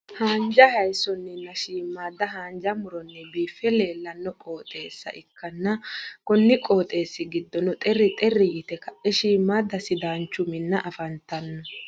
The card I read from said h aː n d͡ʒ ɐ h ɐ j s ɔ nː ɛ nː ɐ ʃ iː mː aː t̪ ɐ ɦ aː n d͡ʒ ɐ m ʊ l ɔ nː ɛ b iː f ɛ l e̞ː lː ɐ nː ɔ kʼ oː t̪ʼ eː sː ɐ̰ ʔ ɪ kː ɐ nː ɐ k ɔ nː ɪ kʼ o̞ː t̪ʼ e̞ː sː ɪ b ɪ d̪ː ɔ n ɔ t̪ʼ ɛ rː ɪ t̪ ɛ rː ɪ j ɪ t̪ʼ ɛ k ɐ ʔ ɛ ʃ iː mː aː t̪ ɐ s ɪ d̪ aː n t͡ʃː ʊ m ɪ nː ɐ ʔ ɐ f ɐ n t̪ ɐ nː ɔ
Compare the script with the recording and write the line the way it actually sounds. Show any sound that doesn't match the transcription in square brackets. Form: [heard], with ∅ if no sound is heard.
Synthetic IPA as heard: h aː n d͡ʒ ɐ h ɐ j s ɔ nː ɛ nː ɐ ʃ iː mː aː [d̪] ɐ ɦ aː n d͡ʒ ɐ m ʊ [ɾ] ɔ nː ɛ b iː f ɛ l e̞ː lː ɐ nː ɔ kʼ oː t̪ʼ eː sː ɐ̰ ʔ ɪ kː ɐ nː ɐ k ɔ nː ɪ kʼ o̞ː t̪ʼ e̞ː sː ɪ [ɡ] ɪ d̪ː ɔ n ɔ t̪ʼ ɛ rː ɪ [t̪ʼ] ɛ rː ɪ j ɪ [t̪] ɛ k ɐ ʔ ɛ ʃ iː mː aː [d̪] ɐ s ɪ d̪ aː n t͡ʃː ʊ m ɪ nː ɐ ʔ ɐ f ɐ n t̪ ɐ nː ɔ